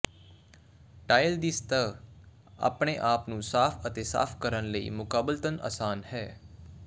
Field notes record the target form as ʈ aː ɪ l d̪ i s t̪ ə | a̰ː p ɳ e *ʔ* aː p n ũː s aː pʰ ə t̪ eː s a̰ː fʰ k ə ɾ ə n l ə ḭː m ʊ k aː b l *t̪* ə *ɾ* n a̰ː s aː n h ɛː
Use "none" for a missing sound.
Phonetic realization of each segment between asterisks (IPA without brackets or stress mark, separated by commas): ʔ, t̪, none